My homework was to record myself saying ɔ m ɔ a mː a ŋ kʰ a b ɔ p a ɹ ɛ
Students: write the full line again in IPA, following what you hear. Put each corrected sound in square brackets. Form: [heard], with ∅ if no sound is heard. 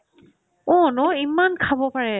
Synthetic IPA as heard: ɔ [n] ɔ [i] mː a [n] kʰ a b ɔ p a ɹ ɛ